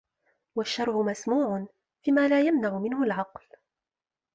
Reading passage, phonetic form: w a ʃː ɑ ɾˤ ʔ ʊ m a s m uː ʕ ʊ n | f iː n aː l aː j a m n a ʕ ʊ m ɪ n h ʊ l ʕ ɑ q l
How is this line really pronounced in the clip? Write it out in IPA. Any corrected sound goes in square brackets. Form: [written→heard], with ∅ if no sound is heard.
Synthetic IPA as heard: w a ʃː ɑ ɾˤ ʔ ʊ m a s m uː ʕ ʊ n | f iː [n→m] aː l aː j a m n a ʕ ʊ m ɪ n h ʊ l ʕ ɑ q l